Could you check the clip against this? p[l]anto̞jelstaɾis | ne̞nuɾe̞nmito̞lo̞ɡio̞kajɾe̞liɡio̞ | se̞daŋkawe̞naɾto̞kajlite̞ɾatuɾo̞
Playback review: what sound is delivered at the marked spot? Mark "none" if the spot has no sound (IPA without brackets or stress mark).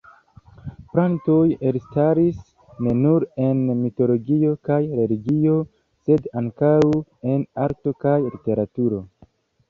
ɾ